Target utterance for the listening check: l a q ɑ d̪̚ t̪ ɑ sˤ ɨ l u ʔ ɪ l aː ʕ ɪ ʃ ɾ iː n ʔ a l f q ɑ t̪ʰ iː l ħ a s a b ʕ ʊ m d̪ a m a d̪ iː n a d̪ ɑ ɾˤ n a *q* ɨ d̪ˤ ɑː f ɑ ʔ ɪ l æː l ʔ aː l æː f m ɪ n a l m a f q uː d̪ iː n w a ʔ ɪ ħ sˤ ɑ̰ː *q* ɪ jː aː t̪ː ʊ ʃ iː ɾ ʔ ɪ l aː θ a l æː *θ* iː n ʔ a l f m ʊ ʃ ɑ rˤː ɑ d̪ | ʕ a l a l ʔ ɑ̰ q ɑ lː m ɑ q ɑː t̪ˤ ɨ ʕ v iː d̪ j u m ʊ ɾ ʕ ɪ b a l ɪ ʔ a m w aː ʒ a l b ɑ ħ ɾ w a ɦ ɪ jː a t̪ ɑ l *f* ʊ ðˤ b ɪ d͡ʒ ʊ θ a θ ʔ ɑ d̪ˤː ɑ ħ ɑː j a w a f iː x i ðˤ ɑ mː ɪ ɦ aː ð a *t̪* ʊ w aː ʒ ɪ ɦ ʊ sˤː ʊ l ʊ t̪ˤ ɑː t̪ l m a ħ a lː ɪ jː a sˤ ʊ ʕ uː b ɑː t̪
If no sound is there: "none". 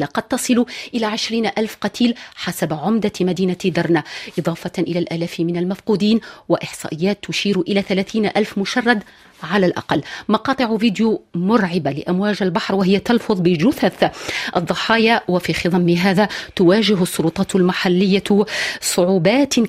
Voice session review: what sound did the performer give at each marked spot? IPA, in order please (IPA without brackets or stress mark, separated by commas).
ʔ, ʔ, θ, f, t̪